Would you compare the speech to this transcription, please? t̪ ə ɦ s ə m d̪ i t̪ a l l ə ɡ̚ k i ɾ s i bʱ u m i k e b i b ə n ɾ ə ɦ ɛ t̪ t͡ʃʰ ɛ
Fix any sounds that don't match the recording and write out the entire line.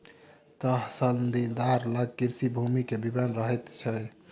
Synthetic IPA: t̪ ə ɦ s ə n d̪ i d̪ a ɾ l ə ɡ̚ k i ɾ s i bʱ u m i k e b i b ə n ɾ ə ɦ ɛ t̪ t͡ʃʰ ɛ

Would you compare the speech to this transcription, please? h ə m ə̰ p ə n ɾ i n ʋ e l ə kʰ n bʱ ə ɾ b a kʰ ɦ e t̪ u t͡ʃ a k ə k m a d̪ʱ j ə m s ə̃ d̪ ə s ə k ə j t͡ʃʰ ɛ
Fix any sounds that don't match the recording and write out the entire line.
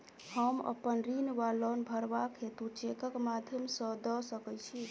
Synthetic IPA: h ə m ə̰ p ə n ɾ i n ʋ a l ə n bʱ ə ɾ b a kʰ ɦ e t̪ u t͡ʃ e k ə k m a d̪ʱ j ə m s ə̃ d̪ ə s ə k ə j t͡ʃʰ i

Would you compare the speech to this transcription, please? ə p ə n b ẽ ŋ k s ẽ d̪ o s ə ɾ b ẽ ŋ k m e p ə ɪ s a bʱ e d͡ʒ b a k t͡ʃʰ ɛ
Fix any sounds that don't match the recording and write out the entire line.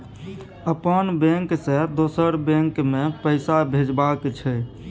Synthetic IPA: ə p ə n b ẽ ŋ k s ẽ d̪ o s ə ɾ b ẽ ŋ k m e p ə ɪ s a bʱ e d͡ʒ b a k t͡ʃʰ ɛ

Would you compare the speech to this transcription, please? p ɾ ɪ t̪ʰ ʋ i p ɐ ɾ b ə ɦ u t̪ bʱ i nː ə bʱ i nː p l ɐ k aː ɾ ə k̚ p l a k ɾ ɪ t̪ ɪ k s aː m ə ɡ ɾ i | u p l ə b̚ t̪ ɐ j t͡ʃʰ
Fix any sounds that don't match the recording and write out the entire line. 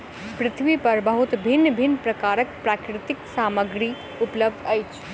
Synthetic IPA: p ɾ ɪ t̪ʰ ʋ i p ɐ ɾ b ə ɦ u t̪ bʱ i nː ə bʱ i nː p ɾ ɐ k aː ɾ ə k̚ p ɾ a k ɾ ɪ t̪ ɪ k s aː m ə ɡ ɾ i | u p l ə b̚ d̪ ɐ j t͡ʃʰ

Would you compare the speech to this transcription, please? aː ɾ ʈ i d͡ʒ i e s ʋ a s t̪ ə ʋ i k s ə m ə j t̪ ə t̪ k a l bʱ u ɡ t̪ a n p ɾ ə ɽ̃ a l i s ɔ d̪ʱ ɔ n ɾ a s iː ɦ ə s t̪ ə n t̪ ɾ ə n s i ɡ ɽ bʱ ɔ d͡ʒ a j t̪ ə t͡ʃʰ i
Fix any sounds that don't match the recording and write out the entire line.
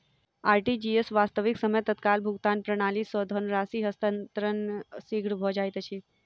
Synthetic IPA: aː ɾ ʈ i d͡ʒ i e s ʋ a s t̪ ə ʋ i k s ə m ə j t̪ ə t̪ k a l bʱ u ɡ t̪ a n p ɾ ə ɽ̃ a l i s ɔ d̪ʱ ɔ n ɾ a s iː ɦ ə s t̪ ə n t̪ ɾ ə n s i ɡ ɽ bʱ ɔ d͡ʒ a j t̪ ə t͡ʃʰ i

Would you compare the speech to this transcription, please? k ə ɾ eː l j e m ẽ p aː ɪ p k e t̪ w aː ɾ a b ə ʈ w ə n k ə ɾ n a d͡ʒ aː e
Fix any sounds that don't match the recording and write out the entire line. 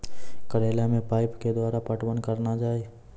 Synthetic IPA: k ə ɾ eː l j a m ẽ p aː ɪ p k e d̪ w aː ɾ a p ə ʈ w ə n k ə ɾ n a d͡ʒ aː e

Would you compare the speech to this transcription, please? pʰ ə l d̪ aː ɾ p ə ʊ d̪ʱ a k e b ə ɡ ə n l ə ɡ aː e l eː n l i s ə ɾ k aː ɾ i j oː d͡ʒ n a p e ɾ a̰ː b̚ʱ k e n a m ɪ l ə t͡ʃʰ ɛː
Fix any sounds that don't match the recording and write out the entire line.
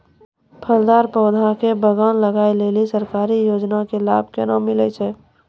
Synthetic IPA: pʰ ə l d̪ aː ɾ p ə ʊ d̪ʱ a k e b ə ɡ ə n l ə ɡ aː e l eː l i s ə ɾ k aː ɾ i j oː d͡ʒ n a k e l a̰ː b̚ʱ k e n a m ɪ l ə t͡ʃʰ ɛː

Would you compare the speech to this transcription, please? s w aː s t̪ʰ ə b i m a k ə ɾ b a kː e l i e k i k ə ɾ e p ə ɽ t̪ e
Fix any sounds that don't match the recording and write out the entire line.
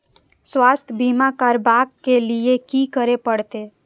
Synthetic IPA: s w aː s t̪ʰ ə b i m a k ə ɾ b a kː e l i e k i k ə ɾ e p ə ɽ t̪ e

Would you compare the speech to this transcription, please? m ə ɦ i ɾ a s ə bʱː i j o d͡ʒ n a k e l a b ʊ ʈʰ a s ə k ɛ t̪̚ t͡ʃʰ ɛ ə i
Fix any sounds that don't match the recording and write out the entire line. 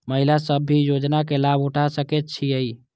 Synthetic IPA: m ə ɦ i l a s ə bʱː i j o d͡ʒ n a k e l a b u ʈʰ a s ə k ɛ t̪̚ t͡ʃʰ i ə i

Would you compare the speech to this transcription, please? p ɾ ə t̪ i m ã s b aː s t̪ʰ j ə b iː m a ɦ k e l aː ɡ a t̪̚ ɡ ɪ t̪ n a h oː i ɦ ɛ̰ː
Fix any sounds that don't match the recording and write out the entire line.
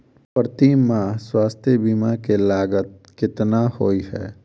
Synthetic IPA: p ɾ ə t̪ i m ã s w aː s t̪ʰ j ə b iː m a k e l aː ɡ ə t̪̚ k ɪ t̪ n a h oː i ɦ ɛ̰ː

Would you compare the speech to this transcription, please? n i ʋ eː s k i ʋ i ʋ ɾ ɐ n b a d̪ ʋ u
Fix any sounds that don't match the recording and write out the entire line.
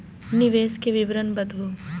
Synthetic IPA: n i ʋ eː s k e ʋ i ʋ ɾ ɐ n b ɐ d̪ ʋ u

